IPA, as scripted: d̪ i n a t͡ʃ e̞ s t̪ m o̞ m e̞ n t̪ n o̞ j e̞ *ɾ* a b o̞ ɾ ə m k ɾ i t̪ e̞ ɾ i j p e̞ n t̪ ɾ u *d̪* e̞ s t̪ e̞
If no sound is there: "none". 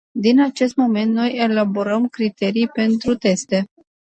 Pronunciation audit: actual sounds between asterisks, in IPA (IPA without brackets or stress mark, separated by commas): l, t̪